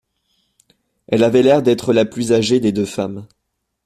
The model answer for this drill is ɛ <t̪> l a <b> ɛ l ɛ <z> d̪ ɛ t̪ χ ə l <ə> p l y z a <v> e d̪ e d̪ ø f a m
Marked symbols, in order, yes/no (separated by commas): no, no, no, no, no